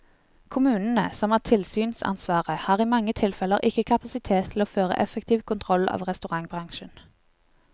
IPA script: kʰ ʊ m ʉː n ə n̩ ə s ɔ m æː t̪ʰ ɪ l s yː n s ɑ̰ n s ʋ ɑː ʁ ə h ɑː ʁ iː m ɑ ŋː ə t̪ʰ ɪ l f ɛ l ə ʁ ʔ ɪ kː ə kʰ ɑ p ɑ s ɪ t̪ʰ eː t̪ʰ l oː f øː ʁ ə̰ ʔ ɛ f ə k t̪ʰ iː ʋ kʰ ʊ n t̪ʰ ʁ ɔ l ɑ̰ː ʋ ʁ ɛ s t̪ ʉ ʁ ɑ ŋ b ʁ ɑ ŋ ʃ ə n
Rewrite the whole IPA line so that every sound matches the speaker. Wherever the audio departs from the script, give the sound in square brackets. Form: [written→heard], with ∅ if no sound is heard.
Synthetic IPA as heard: kʰ ʊ m ʉː n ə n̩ ə s ɔ m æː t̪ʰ ɪ l s yː n s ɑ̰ n s ʋ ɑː ʁ ə h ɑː ʁ iː m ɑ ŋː ə t̪ʰ ɪ l f ɛ l ə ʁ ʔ ɪ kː ə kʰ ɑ p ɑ s ɪ t̪ʰ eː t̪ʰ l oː f øː ʁ ə̰ ʔ ɛ f ə k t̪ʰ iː ʋ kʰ ʊ n t̪ʰ ʁ ɔ l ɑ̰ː ʋ ʁ ɛ s t̪ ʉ ʁ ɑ ŋ b ʁ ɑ ŋ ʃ ə n

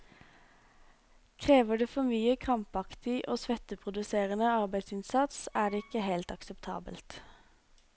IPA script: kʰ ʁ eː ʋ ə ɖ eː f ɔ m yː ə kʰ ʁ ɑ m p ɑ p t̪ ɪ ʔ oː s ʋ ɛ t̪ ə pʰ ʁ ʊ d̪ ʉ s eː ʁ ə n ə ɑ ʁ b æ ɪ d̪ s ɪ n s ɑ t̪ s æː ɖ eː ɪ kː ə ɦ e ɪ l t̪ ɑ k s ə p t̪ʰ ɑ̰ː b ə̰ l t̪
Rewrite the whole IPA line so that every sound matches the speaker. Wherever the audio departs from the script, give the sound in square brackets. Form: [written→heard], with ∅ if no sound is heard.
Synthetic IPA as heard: kʰ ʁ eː ʋ ə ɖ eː f ɔ m yː ə kʰ ʁ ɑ m p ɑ [p→k] t̪ ɪ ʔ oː s ʋ ɛ t̪ ə pʰ ʁ ʊ d̪ ʉ s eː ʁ ə n ə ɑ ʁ b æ ɪ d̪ s ɪ n s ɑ t̪ s æː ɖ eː ɪ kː ə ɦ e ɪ l t̪ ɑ k s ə p t̪ʰ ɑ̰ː b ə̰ l t̪

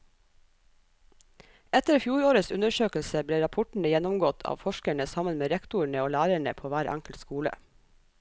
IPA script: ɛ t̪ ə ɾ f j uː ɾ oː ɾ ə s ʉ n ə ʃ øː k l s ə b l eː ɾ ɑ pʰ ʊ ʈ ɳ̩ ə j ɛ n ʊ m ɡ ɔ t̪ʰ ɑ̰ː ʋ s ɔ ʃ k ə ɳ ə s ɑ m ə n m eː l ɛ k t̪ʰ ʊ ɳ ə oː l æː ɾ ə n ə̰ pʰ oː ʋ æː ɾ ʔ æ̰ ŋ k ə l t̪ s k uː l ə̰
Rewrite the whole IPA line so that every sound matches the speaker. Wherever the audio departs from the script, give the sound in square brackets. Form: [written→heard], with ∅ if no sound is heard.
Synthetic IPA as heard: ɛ t̪ ə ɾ f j uː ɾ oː ɾ ə s ʉ n ə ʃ øː k l s ə b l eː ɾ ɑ pʰ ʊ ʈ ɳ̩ ə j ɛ n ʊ m ɡ ɔ t̪ʰ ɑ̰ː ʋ [s→f] ɔ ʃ k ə ɳ ə s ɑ m ə n m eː [l→ɾ] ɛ k [t̪ʰ→t̪] ʊ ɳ ə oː l æː ɾ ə [n→ɳ] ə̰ pʰ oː ʋ æː ɾ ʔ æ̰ ŋ k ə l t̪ s k uː l ə̰

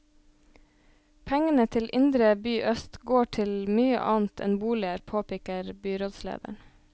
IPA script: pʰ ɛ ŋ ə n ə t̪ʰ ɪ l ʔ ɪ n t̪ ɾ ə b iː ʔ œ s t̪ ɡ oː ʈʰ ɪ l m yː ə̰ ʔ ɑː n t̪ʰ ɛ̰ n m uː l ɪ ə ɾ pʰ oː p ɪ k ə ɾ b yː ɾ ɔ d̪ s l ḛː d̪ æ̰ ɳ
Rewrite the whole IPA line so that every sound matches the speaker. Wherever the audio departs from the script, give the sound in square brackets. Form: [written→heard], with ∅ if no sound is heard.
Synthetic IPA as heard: pʰ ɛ ŋ ə n ə t̪ʰ ɪ l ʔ ɪ n [t̪→d̪] ɾ ə b [iː→yː] ʔ œ s t̪ ɡ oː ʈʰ ɪ l m yː ə̰ ʔ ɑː n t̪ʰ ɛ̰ n [m→b] uː l ɪ ə ɾ pʰ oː p ɪ k ə ɾ b yː ɾ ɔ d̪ s l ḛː d̪ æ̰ ɳ

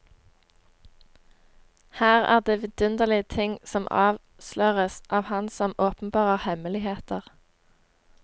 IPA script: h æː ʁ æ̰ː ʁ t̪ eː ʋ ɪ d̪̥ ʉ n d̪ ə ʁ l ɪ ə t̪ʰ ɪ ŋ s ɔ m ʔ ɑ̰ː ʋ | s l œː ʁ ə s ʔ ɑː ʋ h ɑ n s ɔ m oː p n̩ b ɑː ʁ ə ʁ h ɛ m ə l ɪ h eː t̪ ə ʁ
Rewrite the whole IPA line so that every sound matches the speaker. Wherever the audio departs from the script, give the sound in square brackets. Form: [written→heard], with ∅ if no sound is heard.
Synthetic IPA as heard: h æː ʁ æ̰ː ʁ [t̪→d̪] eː ʋ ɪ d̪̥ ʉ n d̪ ə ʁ l ɪ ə t̪ʰ ɪ ŋ s ɔ m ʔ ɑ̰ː ʋ | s l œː ʁ ə s ʔ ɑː ʋ h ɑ n s ɔ m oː p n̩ b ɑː ʁ ə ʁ h ɛ m ə l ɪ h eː t̪ ə ʁ

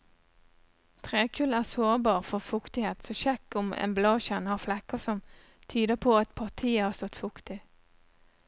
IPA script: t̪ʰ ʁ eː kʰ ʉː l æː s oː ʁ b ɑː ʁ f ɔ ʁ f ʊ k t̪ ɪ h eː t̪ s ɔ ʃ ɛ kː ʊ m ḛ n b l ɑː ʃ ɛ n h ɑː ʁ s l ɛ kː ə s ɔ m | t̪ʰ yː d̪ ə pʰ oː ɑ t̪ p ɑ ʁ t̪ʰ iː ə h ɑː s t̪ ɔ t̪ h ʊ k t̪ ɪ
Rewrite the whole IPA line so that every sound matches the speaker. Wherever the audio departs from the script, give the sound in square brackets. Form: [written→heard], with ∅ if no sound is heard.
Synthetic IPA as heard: t̪ʰ ʁ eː kʰ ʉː l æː s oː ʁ b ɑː ʁ f ɔ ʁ f ʊ k t̪ ɪ h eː t̪ s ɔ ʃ ɛ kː ʊ m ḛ n b l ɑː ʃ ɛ n h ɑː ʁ [s→f] l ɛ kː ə s ɔ m | t̪ʰ yː d̪ ə pʰ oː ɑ t̪ [p→pʰ] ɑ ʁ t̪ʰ iː ə h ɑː s t̪ ɔ t̪ [h→f] ʊ k t̪ ɪ

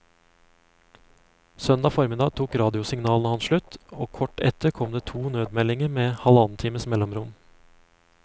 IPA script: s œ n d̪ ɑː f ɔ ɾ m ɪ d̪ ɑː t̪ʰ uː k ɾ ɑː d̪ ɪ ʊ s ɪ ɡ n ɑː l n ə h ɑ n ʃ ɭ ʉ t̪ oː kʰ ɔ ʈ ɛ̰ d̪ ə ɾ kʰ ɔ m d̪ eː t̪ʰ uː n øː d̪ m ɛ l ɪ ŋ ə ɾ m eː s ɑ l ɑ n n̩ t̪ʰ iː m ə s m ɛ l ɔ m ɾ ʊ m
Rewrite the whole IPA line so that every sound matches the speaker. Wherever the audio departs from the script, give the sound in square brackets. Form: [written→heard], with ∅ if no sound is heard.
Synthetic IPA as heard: s œ n d̪ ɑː f ɔ ɾ m ɪ d̪ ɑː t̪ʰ uː k ɾ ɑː d̪ ɪ ʊ s ɪ [ɡ→ŋ] n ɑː l n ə h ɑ n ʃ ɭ ʉ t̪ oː kʰ ɔ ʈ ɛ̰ [d̪→t̪] ə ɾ kʰ ɔ m d̪ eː t̪ʰ uː n øː d̪ m ɛ l ɪ ŋ ə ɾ m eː [s→h] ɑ l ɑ n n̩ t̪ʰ iː m ə s m ɛ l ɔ m ɾ ʊ m

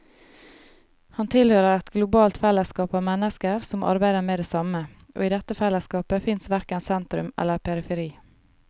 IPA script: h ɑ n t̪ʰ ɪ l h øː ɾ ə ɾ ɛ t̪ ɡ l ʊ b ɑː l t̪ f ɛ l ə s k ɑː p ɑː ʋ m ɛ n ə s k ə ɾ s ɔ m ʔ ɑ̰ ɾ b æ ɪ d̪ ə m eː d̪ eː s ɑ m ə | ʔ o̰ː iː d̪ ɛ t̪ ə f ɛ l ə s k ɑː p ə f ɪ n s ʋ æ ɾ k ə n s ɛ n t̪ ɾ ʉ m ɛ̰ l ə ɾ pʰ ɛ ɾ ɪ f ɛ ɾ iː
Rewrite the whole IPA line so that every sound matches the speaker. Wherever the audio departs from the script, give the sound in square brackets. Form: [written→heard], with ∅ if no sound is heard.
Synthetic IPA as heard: h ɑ n t̪ʰ ɪ l h øː ɾ ə ɾ ɛ t̪ ɡ l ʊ b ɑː l t̪ f ɛ l ə s k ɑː p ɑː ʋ m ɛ n ə s k ə ɾ s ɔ m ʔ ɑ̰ ɾ b æ ɪ d̪ ə m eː d̪ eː s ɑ m ə | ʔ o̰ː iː d̪ ɛ t̪ ə f ɛ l ə s k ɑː p ə f ɪ n s ʋ æ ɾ k ə n s ɛ n t̪ ɾ ʉ m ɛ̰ l ə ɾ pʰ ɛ ɾ ɪ f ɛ ɾ iː

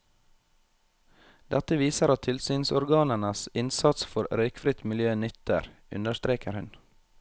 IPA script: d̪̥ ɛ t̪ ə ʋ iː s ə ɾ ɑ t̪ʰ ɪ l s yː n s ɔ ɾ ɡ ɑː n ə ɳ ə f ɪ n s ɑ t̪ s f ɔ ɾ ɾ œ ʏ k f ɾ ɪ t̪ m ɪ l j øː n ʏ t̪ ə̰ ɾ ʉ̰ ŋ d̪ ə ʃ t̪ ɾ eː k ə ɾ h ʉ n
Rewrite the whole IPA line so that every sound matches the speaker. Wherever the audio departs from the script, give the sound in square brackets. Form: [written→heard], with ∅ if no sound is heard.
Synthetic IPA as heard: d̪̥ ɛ t̪ ə ʋ iː s ə ɾ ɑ t̪ʰ ɪ l s yː n s ɔ ɾ ɡ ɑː n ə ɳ ə [f→s] ɪ n s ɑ t̪ s f ɔ ɾ ɾ œ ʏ k f ɾ ɪ t̪ m ɪ l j øː n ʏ t̪ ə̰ ɾ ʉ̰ [ŋ→n] d̪ ə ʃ t̪ ɾ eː k ə ɾ h ʉ n

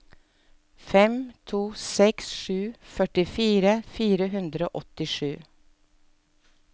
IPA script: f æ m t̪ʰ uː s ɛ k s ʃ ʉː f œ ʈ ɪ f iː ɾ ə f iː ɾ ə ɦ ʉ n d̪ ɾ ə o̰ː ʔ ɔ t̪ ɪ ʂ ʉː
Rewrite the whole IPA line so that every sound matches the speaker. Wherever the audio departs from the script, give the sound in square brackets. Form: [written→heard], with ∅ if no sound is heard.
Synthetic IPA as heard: f [æ→ɛ] m t̪ʰ uː s ɛ k s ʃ ʉː f œ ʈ ɪ f iː ɾ ə f iː ɾ ə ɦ ʉ n d̪ ɾ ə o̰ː ʔ ɔ t̪ ɪ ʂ ʉː

